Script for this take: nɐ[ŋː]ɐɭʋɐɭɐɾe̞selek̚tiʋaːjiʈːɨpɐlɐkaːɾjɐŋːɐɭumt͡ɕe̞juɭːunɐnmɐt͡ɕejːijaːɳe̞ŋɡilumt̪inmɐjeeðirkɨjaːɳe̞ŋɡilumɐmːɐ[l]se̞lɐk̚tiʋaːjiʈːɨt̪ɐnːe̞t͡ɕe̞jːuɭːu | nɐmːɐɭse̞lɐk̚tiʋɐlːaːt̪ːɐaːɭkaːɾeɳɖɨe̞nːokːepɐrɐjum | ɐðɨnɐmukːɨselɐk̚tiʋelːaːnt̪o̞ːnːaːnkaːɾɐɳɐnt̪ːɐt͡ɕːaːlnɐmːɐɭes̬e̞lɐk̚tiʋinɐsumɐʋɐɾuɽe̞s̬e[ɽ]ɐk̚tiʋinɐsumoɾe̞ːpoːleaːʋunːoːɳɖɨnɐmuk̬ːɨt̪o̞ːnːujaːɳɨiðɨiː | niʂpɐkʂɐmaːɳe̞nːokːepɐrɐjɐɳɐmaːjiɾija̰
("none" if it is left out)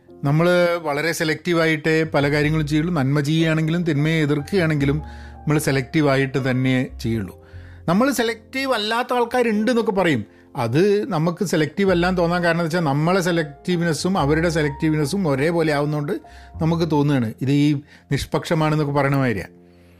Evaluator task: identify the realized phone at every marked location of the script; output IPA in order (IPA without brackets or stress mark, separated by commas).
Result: mː, ɭ, l